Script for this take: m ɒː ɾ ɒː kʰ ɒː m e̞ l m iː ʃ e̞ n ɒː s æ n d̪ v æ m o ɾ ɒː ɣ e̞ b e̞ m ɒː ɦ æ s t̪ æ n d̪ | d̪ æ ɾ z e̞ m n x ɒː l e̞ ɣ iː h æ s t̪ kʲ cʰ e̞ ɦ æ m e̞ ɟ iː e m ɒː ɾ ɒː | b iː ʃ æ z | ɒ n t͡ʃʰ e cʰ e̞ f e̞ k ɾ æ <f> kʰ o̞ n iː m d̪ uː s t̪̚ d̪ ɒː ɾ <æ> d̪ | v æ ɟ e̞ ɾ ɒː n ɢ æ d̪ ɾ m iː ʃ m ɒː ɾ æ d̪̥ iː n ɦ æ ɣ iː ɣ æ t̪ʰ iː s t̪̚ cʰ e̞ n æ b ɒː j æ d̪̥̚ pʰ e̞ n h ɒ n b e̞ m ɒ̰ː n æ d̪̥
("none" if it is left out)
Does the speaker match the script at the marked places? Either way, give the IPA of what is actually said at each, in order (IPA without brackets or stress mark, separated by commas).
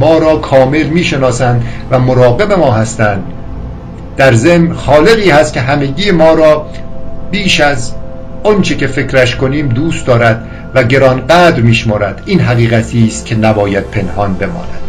ʃ, æ